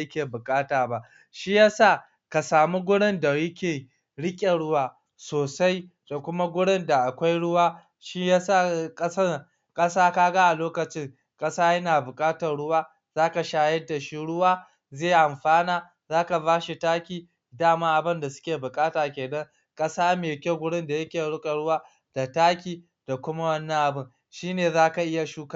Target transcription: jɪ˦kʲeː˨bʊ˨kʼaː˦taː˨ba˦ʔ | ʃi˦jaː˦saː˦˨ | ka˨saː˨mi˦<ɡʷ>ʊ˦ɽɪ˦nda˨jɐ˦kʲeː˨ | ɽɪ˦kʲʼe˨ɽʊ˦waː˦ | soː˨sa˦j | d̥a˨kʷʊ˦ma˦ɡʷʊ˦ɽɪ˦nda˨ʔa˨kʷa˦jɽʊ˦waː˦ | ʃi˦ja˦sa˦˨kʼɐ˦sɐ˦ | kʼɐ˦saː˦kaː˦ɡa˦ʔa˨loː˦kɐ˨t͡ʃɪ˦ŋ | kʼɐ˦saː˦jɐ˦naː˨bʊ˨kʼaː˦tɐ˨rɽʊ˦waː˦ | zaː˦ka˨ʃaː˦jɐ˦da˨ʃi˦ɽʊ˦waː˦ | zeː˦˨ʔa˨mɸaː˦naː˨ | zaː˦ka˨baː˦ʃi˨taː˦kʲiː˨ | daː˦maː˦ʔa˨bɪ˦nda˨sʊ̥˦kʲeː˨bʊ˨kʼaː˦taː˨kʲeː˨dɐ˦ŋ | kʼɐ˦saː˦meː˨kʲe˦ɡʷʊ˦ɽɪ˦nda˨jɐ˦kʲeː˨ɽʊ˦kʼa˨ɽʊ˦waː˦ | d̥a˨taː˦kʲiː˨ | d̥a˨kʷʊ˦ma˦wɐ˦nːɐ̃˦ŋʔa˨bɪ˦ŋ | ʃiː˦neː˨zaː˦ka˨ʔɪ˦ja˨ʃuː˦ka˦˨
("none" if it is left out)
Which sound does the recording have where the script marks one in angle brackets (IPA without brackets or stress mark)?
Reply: ɡʷ